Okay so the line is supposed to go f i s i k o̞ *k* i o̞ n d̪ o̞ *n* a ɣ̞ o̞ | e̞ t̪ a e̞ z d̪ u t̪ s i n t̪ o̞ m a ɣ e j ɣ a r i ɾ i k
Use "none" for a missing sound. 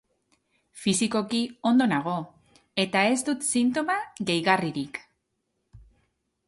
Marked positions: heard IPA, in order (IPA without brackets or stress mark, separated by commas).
k, n